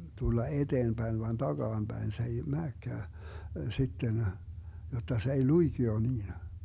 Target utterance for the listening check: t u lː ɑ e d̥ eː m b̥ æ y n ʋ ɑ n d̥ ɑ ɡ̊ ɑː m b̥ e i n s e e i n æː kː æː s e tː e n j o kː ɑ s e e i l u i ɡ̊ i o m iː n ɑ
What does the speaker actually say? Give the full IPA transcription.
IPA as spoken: t u lː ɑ e d̥ eː m b̥ æ i n ʋ ɑ n d̥ ɑ ɡ̊ ɑː m b̥ æ i n s e e i m æː kː æː s i tː e n j o tː ɑ s e e i l u i ɡ̊ i o n iː n ɑ